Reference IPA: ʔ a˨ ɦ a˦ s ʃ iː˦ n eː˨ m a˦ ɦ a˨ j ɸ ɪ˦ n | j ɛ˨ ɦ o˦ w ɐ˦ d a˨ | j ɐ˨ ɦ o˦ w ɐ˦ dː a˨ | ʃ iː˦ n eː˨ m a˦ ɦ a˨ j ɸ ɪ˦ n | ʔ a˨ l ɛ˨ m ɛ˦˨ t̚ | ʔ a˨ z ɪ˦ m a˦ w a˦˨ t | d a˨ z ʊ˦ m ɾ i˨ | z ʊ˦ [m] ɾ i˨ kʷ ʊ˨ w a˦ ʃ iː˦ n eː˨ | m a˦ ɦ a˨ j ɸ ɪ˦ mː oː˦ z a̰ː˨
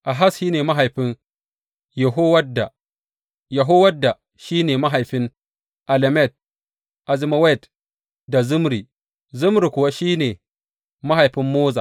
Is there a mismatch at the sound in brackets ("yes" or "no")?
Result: no